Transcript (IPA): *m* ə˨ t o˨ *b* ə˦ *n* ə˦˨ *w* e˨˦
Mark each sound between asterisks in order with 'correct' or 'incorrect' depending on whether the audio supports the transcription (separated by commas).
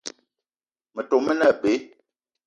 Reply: correct, incorrect, correct, incorrect